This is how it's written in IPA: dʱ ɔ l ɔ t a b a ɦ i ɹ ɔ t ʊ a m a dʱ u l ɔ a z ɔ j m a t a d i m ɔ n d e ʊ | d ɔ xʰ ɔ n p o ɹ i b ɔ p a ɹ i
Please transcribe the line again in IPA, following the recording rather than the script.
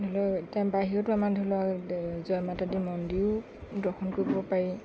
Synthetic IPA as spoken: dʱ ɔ l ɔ t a b a ɦ i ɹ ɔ t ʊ a m a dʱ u l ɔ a z ɔ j m a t a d i m ɔ n d i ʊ | d ɔ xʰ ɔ n k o ɹ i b ɔ p a ɹ i